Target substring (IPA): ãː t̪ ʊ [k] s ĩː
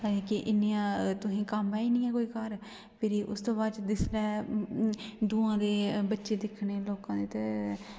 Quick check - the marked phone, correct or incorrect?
incorrect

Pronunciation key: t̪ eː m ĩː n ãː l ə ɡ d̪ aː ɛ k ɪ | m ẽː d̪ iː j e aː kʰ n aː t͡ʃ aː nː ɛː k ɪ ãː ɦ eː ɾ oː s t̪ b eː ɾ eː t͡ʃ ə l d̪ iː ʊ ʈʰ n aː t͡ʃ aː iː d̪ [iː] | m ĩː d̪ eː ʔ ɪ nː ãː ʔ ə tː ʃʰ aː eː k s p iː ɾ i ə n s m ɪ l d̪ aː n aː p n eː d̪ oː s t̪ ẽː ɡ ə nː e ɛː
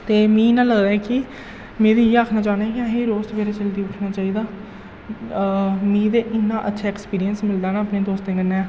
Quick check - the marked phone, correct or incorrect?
incorrect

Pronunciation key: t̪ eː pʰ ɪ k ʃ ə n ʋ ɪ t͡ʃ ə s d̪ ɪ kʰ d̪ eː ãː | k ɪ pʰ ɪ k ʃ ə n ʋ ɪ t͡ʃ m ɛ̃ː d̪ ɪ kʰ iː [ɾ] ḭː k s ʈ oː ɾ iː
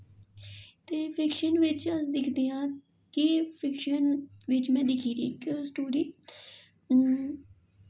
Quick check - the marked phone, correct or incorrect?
correct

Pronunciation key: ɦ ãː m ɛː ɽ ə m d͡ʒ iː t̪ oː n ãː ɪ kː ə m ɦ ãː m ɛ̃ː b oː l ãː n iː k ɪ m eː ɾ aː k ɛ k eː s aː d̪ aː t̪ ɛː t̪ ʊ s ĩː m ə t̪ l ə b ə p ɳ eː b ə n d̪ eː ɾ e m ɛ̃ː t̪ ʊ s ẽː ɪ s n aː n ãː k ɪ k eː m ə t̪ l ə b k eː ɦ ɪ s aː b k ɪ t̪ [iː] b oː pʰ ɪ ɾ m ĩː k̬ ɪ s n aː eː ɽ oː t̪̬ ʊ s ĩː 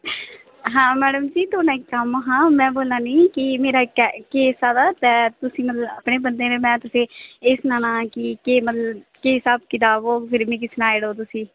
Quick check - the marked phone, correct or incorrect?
incorrect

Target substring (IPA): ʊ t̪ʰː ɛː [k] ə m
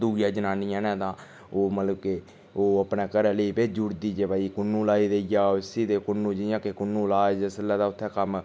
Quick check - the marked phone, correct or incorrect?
correct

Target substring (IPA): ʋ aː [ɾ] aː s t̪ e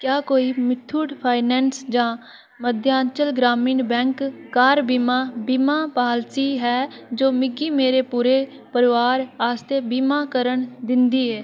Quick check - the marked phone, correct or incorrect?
correct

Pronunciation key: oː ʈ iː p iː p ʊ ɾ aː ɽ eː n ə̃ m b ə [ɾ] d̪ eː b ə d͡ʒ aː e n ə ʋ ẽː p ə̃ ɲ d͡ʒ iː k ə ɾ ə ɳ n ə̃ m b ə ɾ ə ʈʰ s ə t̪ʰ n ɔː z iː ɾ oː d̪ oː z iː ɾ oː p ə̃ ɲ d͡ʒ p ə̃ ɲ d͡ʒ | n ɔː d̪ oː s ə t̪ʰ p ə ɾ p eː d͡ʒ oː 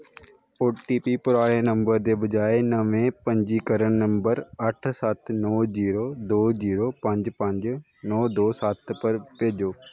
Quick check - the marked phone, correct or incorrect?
correct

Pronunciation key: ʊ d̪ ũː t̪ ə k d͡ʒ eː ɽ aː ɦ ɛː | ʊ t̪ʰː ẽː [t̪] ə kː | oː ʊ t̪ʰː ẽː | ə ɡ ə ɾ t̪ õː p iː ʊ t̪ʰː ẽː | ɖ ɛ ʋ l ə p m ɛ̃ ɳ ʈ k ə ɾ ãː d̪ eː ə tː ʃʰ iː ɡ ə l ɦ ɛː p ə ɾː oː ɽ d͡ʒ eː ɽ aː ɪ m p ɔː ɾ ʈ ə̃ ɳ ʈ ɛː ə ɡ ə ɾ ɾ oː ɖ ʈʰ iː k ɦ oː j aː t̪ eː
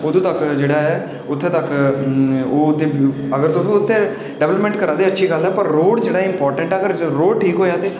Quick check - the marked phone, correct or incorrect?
correct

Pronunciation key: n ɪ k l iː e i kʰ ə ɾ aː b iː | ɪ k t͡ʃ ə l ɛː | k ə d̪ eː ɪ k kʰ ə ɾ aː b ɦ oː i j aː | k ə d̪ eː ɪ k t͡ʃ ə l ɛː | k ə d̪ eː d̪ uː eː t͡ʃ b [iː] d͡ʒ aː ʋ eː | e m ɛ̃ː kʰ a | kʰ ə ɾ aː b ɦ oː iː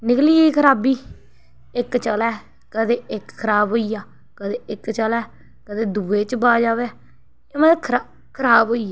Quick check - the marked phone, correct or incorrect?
incorrect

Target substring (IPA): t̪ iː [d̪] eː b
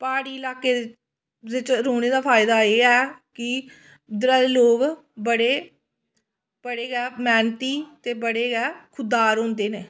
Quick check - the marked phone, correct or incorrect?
incorrect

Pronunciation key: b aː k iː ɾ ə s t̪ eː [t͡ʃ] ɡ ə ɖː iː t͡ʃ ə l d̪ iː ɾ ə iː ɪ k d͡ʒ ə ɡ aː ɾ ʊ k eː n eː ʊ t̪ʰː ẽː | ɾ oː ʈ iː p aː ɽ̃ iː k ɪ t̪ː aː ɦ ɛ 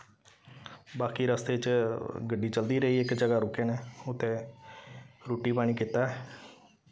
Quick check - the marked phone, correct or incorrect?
correct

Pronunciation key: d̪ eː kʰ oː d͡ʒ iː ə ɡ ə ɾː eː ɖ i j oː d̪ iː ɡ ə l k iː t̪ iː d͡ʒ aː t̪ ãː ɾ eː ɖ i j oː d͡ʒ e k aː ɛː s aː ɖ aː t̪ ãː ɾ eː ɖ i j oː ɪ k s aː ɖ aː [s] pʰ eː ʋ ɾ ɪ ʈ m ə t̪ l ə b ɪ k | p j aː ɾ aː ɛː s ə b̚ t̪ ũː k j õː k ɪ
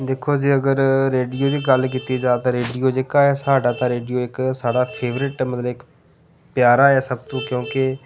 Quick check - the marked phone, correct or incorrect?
incorrect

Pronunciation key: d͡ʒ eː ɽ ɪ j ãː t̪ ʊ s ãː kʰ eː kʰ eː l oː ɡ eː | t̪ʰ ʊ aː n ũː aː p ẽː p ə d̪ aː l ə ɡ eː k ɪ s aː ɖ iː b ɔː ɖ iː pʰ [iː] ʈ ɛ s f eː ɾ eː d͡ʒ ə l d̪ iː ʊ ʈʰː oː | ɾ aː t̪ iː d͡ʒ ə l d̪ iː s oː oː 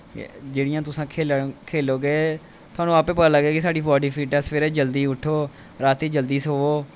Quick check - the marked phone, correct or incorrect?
correct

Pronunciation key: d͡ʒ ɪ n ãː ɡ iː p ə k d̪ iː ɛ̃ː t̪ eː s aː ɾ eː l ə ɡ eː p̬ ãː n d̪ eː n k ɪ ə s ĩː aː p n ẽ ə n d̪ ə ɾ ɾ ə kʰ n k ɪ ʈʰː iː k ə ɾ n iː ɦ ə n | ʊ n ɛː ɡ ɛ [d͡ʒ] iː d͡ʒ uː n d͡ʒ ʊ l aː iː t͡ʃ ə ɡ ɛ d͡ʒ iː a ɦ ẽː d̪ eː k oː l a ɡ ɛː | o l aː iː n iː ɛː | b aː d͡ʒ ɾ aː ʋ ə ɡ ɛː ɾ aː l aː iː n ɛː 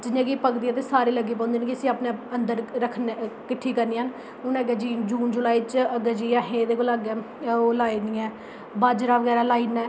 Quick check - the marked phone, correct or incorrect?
correct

